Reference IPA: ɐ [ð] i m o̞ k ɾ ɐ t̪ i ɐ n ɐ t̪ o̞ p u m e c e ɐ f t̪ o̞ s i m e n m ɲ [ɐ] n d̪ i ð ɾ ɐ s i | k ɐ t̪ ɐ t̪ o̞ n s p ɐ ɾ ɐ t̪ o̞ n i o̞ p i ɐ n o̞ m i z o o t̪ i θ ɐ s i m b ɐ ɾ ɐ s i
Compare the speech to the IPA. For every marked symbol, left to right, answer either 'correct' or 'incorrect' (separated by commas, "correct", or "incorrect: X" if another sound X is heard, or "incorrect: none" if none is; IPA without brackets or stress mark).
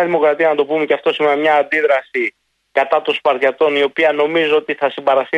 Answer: correct, incorrect: ɐː